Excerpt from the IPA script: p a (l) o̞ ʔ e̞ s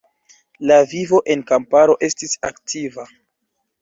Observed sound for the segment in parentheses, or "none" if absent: ɾ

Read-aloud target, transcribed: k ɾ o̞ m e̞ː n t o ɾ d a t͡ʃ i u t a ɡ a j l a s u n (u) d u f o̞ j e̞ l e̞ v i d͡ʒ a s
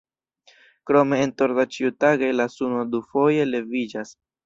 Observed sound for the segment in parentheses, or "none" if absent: o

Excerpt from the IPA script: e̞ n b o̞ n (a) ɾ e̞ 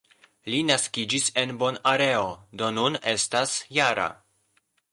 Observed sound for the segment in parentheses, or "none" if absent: a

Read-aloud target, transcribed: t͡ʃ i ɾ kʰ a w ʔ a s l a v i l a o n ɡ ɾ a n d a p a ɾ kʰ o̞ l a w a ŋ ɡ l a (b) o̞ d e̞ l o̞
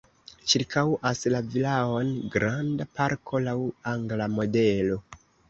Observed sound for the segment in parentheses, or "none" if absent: m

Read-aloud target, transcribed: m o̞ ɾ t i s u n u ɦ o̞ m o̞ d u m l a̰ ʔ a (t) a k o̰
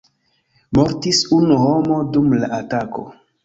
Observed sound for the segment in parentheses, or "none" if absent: t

